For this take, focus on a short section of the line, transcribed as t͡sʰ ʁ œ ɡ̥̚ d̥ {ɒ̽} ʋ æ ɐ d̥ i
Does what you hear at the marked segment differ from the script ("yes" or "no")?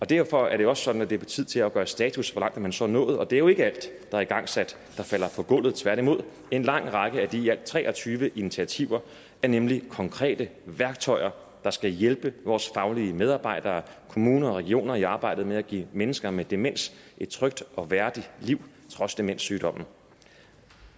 no